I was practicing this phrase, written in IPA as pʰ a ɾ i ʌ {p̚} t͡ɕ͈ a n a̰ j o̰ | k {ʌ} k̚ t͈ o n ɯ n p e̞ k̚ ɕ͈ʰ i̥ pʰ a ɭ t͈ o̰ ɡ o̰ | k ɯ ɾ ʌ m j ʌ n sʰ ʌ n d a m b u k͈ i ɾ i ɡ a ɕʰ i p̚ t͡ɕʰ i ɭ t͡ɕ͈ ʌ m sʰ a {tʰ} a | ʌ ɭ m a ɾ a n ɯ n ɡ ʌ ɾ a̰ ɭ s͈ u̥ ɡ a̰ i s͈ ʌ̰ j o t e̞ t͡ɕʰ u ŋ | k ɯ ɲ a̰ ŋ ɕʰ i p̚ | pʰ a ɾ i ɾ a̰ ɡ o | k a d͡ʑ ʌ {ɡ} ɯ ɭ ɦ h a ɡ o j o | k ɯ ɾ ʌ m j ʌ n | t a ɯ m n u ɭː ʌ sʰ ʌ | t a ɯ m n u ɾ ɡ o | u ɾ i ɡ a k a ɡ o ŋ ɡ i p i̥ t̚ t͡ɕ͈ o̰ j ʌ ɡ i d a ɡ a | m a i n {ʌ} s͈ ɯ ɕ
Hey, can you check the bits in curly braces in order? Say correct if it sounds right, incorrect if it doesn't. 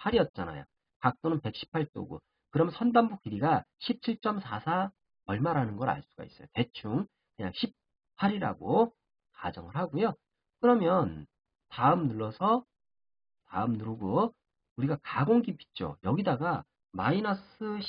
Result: incorrect: t̚, incorrect: a, incorrect: sʰ, incorrect: ŋ, correct

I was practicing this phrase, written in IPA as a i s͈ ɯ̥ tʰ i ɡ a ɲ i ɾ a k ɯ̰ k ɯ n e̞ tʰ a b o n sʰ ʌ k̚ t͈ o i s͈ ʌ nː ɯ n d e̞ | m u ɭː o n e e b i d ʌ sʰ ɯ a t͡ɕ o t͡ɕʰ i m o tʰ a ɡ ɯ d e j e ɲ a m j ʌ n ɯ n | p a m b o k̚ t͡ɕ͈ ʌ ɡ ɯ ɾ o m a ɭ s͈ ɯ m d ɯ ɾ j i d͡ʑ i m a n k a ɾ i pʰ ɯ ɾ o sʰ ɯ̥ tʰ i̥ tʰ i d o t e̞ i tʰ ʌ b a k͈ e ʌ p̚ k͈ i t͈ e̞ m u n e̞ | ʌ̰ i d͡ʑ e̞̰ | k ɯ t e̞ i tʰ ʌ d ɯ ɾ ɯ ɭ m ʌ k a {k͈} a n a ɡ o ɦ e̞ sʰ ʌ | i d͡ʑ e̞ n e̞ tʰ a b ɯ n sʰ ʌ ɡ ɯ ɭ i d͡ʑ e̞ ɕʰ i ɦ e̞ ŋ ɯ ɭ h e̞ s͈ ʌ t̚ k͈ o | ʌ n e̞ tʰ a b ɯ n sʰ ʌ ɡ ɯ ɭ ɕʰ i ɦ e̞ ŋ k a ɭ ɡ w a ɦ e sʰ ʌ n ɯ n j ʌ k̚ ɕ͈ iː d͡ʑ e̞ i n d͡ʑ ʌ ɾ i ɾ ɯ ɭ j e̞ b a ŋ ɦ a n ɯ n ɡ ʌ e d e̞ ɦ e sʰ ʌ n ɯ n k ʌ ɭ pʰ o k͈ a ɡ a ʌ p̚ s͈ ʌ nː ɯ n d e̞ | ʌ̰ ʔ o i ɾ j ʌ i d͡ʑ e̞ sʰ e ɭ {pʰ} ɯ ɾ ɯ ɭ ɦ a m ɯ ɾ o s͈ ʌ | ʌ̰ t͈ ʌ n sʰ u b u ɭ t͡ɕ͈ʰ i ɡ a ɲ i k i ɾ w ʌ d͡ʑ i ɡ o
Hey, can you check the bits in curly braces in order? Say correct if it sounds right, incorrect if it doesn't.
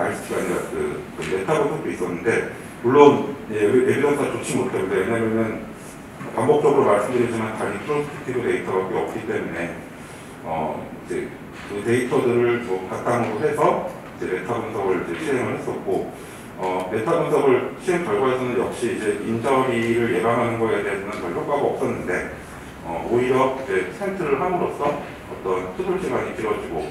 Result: incorrect: t͈, incorrect: tʰ

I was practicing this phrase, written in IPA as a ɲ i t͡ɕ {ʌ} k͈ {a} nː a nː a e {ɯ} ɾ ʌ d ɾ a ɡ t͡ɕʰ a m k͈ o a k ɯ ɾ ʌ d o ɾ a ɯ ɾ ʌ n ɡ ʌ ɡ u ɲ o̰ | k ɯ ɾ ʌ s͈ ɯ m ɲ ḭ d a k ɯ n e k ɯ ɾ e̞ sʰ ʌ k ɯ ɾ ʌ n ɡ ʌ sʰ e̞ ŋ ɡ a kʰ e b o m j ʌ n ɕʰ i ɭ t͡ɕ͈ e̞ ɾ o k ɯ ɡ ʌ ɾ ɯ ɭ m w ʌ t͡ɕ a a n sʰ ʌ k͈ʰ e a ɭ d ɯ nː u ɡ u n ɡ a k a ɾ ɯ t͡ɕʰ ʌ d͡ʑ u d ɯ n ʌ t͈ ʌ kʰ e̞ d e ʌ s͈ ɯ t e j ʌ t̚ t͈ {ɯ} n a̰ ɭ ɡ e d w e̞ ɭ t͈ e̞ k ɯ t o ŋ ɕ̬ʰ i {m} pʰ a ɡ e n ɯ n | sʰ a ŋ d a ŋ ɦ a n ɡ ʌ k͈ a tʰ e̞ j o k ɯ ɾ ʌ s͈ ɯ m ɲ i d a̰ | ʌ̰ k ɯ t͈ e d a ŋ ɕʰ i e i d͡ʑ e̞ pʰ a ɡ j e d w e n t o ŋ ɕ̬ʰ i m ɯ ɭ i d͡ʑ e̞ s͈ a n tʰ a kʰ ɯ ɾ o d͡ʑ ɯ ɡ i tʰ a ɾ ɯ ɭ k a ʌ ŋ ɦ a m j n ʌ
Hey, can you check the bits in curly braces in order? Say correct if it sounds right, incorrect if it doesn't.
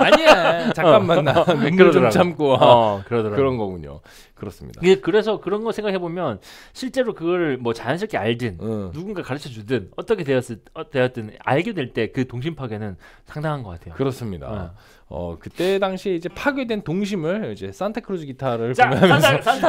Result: incorrect: a, correct, correct, correct, correct

